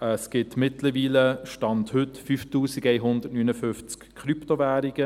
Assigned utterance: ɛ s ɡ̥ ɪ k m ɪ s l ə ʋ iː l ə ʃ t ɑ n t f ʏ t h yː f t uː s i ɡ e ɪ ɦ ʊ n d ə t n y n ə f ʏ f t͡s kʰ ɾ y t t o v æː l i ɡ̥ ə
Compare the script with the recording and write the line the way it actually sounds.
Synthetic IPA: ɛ s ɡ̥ ɪ t m ɪ t l ə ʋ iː l ə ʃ t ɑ n t h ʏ t f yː f t uː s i ɡ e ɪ ɦ ʊ n d ə t n y n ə f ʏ f t͡s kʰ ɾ y p t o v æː ɾ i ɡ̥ ə

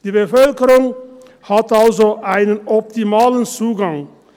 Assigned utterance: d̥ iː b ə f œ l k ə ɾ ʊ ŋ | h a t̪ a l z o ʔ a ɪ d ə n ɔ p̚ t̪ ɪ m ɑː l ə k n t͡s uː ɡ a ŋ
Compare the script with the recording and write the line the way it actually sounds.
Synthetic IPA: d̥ iː b ə f œ l k ə ɾ ʊ ŋ | h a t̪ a l z o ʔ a ɪ n ə n ɔ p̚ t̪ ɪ m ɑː l ə n t͡s uː ɡ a ŋ

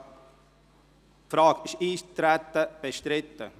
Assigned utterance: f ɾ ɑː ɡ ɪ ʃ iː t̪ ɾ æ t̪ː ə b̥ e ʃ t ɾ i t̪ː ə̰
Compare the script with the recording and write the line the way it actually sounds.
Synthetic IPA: f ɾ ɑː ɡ ɪ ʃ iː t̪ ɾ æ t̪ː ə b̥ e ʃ t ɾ ɪ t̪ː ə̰

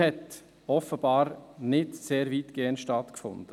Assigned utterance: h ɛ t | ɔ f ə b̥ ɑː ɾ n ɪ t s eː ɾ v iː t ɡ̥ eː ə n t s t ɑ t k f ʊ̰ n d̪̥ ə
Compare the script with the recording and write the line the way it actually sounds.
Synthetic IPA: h ɛ t | ɔ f ə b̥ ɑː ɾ n ɪ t s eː ɾ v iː t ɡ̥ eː ə n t ʃ t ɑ t k f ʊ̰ n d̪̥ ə

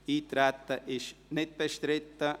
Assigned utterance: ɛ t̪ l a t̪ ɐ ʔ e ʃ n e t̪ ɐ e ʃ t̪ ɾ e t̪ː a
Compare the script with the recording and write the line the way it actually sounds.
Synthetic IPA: i t̪ ɾ a t̪ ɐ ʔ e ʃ n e t̪ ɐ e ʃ t̪ ɾ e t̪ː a

